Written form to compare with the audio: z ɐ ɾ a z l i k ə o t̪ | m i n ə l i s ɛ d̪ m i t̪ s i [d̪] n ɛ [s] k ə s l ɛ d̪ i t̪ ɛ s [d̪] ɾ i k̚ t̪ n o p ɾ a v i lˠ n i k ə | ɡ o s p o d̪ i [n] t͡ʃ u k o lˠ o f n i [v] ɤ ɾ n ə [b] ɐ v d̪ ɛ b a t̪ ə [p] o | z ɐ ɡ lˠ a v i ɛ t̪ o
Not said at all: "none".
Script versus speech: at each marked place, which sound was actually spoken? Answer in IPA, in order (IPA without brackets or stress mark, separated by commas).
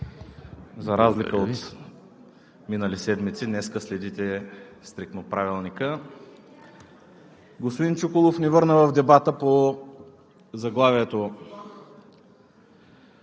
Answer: d̪, s, t̪, n, v, v, p